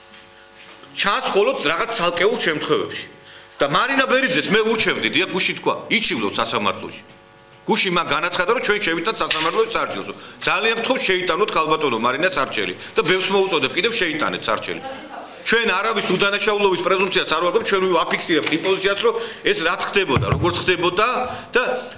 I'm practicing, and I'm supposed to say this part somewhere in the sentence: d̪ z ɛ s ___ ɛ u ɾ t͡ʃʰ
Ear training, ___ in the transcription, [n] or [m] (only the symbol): m